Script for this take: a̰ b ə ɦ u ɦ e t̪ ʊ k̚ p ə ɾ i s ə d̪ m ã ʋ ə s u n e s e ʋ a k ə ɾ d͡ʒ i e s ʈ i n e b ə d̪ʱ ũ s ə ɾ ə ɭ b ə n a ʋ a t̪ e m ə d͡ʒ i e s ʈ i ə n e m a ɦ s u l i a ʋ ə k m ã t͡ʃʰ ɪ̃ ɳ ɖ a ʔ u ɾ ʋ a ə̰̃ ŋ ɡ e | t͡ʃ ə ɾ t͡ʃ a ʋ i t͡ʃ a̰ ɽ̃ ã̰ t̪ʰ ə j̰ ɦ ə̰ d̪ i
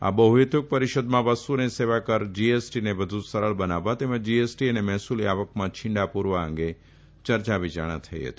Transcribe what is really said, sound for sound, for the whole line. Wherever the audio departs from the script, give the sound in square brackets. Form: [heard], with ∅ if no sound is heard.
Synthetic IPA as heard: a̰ b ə ɦ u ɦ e t̪ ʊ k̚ p ə ɾ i [ʃ] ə d̪ m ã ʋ ə s u n e s e ʋ a k ə ɾ d͡ʒ i e s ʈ i n e b ə d̪ʱ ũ s ə ɾ ə ɭ b ə n a ʋ a t̪ e m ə d͡ʒ i e s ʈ i ə n e m [ɛ] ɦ s u l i a ʋ ə k m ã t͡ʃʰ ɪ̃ ɳ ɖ a [p] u ɾ ʋ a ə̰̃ ŋ ɡ e | t͡ʃ ə ɾ t͡ʃ a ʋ i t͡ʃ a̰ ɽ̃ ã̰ t̪ʰ ə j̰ ɦ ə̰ [t̪] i